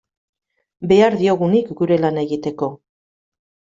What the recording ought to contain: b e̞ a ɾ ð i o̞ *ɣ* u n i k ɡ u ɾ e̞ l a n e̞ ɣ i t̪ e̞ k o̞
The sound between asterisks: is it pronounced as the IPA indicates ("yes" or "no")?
yes